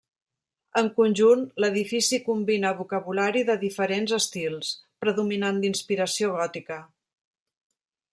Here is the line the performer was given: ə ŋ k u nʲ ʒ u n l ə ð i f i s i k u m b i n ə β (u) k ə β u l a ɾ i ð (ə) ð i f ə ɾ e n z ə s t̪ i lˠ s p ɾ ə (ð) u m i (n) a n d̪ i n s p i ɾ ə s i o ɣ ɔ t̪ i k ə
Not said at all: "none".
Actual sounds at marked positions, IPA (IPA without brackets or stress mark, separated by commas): u, ə, ð, n